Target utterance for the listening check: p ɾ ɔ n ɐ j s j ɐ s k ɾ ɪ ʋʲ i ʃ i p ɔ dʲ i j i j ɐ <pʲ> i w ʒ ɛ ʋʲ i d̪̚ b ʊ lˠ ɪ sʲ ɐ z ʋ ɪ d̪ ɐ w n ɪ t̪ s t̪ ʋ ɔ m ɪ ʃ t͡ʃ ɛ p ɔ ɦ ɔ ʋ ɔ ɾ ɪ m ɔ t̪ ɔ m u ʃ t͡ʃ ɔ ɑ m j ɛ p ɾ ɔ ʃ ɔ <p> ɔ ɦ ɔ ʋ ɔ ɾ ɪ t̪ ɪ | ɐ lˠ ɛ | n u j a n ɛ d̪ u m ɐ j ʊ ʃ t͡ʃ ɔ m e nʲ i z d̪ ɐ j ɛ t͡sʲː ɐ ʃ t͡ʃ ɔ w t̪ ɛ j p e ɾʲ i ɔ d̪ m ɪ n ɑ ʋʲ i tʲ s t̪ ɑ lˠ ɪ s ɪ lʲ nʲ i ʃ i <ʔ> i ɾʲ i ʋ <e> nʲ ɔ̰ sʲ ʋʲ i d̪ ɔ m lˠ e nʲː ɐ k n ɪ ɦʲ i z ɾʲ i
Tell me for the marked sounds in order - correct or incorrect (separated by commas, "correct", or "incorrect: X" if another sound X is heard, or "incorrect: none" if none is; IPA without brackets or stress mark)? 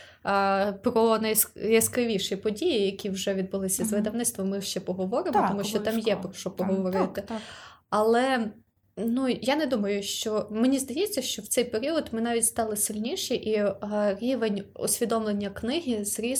incorrect: kʲ, correct, correct, correct